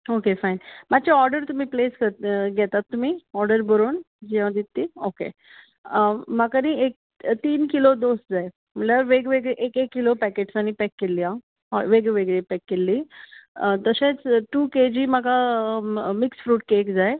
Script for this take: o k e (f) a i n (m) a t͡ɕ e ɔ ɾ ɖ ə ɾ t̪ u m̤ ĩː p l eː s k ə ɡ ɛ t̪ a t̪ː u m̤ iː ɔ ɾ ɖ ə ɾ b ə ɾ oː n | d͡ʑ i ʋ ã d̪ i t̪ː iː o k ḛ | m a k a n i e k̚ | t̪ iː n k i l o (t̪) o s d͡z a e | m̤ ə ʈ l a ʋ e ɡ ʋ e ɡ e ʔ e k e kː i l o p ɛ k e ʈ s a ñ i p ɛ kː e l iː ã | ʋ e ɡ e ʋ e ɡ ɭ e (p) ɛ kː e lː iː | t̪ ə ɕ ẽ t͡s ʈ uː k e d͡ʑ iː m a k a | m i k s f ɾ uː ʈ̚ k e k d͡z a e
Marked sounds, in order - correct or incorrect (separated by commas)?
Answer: correct, correct, incorrect, correct